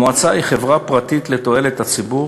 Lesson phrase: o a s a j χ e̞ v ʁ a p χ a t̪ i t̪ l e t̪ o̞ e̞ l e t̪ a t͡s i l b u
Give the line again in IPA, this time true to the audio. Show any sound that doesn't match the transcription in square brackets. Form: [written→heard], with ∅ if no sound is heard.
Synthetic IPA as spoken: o a [s→t͡s] a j χ e̞ v ʁ a p [χ→ʁ] a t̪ i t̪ l e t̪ o̞ e̞ l e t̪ a t͡s i [l→∅] b u